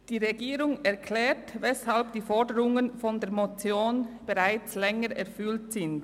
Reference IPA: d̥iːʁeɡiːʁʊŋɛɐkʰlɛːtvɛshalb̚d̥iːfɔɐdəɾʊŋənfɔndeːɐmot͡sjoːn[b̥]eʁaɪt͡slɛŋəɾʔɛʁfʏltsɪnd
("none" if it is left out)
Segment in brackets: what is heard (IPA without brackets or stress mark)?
b̥